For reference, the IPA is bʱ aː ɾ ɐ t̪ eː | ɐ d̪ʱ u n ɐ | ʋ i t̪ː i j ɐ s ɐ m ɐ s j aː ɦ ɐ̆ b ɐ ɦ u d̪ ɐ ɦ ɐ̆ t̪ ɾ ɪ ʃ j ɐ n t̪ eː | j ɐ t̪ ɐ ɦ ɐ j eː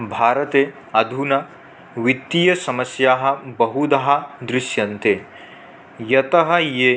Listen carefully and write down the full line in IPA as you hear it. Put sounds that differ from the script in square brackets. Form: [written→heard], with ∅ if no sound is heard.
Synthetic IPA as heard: bʱ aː ɾ ɐ t̪ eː | ɐ d̪ʱ u n ɐ | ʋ i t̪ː i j ɐ s ɐ m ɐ s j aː ɦ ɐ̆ b ɐ ɦ u d̪ ɐ ɦ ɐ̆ [t̪→d̪] ɾ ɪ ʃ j ɐ n t̪ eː | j ɐ t̪ ɐ ɦ ɐ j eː